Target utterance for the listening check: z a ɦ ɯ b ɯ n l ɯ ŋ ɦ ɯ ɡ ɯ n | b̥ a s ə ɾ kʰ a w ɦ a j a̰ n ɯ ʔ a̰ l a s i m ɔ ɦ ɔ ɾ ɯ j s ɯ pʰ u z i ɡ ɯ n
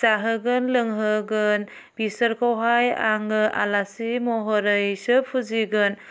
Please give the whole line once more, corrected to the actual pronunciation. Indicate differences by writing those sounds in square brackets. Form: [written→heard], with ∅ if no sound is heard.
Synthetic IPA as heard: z a ɦ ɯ [b→ɡ] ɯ n l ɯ ŋ ɦ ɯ ɡ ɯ n | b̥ [a→i] s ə ɾ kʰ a w ɦ a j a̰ [n→ŋ] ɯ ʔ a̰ l a s i m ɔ ɦ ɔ ɾ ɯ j s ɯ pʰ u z i ɡ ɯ n